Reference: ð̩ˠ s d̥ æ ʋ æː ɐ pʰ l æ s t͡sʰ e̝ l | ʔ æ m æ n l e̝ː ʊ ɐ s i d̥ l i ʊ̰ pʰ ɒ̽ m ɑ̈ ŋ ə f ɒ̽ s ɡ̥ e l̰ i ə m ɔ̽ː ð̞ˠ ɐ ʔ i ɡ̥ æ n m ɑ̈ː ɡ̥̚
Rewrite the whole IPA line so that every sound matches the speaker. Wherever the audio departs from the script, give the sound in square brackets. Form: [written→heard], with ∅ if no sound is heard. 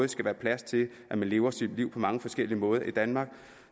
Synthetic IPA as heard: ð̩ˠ s [d̥→ɡ̥] æ ʋ æː ɐ pʰ l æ s t͡sʰ e̝ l | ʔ æ m æ n l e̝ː ʊ ɐ s i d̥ l i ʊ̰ pʰ ɒ̽ m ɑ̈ ŋ ə f ɒ̽ s ɡ̥ e l̰ i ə m ɔ̽ː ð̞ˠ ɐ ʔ i [ɡ̥→d̥] æ n m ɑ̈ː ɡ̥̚